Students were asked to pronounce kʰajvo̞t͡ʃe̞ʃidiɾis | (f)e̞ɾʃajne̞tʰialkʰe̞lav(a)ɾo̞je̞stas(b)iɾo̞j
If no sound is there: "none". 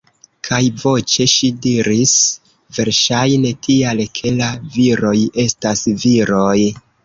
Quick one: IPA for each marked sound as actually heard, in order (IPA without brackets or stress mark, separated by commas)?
v, i, v